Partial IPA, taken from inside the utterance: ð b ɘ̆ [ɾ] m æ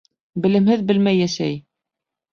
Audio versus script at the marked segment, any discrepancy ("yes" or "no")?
yes